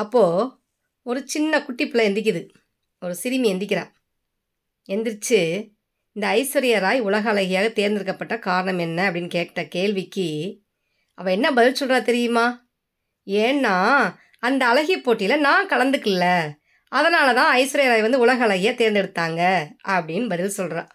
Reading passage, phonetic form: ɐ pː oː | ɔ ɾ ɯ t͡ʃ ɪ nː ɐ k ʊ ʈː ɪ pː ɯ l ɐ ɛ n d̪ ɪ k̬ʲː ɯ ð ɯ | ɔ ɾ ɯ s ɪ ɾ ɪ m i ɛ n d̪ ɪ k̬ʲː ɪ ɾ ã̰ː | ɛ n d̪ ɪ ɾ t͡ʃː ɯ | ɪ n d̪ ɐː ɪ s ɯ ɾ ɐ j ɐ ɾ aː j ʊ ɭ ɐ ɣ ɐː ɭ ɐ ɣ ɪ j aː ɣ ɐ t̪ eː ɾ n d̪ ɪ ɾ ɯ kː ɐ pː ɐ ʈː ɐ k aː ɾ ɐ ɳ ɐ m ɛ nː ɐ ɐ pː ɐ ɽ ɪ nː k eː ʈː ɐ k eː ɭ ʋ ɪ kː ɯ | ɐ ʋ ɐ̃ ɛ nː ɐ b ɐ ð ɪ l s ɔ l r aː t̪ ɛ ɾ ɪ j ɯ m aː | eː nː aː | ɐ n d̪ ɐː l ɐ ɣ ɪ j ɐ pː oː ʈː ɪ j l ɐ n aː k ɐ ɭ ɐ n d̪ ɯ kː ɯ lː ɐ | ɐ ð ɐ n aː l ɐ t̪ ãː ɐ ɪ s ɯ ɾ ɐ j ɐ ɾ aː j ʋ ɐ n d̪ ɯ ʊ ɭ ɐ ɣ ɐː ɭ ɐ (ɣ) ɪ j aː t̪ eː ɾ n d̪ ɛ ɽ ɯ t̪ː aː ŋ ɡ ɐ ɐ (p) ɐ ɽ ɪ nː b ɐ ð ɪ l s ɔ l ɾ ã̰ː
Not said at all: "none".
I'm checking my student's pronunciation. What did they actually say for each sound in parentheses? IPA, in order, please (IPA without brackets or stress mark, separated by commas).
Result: ɣ, p